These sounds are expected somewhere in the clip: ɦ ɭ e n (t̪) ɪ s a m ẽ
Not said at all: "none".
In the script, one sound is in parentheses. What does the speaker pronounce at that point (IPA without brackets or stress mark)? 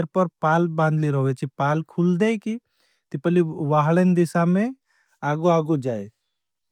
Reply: d̪